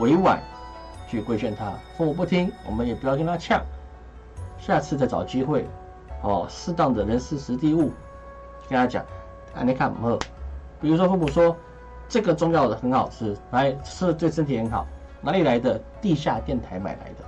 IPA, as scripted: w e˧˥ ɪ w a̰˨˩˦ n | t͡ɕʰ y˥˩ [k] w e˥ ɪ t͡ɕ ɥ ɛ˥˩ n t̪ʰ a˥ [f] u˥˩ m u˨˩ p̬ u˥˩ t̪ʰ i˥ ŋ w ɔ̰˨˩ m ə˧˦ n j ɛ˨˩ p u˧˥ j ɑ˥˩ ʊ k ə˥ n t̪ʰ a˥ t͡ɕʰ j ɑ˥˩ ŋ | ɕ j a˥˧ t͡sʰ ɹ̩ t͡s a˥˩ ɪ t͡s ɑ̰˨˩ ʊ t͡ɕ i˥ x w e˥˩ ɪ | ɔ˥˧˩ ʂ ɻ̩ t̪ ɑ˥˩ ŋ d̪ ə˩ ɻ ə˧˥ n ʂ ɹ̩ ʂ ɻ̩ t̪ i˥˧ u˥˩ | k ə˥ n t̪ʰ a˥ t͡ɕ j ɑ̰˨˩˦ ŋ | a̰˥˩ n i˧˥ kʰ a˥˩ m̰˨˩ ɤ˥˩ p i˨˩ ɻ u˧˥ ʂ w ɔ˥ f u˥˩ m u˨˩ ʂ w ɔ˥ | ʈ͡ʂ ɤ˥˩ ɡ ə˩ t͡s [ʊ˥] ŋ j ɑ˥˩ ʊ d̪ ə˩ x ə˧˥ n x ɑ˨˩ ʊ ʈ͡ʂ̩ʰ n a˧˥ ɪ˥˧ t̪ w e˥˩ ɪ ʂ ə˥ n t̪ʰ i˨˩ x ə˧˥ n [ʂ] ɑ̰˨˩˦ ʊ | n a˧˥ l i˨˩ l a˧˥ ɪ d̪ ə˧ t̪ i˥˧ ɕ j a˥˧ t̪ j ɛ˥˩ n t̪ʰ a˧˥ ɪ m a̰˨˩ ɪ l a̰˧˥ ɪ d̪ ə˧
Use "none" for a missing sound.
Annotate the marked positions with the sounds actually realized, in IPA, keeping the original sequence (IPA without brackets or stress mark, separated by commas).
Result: k, f, ʊ˥, x